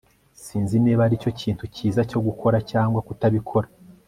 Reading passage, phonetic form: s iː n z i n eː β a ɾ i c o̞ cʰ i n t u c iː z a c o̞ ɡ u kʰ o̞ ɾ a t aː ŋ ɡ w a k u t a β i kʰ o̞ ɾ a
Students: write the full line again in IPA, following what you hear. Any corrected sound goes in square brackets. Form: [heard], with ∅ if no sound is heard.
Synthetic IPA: s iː n z i n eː β a ɾ i c o̞ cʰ [iː] n t u c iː z a c o̞ ɡ u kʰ o̞ ɾ a [c] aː ŋ ɡ w a k u t a β i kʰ o̞ ɾ a